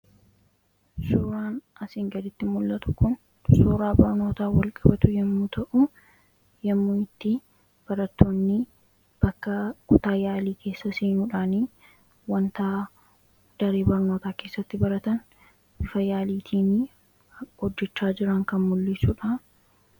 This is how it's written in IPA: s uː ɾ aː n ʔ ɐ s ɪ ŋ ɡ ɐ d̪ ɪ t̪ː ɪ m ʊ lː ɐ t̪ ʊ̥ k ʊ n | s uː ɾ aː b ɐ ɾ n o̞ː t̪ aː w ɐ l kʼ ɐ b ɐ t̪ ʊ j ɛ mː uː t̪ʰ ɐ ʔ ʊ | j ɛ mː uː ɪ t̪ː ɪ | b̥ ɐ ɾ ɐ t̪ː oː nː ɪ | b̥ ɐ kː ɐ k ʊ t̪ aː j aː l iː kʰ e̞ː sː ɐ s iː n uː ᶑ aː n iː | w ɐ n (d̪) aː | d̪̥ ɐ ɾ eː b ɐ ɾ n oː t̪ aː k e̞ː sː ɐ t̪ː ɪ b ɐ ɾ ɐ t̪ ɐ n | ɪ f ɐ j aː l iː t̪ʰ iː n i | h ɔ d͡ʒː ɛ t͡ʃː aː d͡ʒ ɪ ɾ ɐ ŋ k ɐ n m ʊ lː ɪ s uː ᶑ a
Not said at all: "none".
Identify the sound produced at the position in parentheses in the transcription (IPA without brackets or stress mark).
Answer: t̪